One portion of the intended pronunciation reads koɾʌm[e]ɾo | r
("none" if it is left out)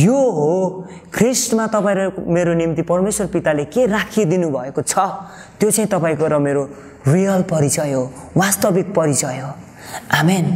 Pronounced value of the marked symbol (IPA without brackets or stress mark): e